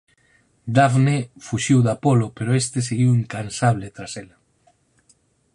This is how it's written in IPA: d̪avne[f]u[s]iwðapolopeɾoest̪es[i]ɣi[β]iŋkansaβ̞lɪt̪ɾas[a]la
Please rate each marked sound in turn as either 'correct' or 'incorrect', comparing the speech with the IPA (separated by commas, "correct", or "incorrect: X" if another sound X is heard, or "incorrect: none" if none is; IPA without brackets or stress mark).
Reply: correct, incorrect: ʃ, incorrect: e, incorrect: w, incorrect: e